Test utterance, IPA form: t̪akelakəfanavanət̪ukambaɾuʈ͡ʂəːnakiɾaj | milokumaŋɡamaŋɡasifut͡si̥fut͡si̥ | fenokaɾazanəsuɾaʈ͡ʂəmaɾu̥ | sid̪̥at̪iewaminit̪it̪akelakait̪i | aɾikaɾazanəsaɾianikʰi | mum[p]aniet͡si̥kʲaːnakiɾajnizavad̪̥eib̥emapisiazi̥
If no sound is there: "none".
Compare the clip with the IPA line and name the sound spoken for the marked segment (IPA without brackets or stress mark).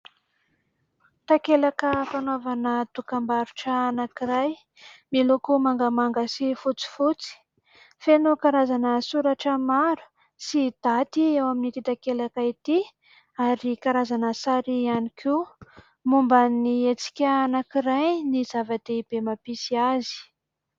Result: b